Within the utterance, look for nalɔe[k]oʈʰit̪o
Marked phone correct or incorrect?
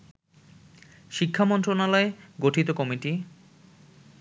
incorrect